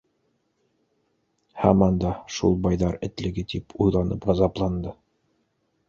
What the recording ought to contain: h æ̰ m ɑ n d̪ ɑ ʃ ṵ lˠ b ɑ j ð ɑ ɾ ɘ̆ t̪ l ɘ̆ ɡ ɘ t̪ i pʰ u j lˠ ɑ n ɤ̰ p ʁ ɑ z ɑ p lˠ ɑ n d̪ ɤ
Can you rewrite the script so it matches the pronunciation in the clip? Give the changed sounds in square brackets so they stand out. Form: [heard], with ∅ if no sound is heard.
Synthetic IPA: h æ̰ m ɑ n d̪ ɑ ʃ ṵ lˠ b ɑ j ð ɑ ɾ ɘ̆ t̪ l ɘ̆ ɡ ɘ t̪ i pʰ u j lˠ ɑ n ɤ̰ p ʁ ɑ z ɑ p lˠ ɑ n d̪ ɤ